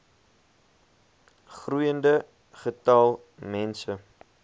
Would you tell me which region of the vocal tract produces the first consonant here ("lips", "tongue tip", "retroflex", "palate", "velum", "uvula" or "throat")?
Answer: uvula